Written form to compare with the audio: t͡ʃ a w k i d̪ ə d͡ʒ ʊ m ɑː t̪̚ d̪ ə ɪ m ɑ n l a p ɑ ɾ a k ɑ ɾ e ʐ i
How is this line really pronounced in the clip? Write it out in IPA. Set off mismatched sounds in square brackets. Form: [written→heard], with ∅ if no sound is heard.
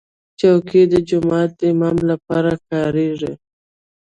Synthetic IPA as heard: t͡ʃ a w k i d̪ ə d͡ʒ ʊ m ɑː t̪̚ d̪ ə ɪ m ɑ [n→m] l a p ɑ ɾ a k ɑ ɾ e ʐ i